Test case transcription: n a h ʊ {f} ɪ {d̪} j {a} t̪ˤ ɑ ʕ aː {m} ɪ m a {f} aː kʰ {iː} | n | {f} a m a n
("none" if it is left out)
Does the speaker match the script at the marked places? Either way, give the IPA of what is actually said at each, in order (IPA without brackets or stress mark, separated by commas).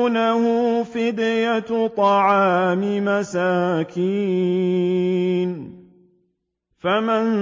f, d̪, a, m, s, iː, f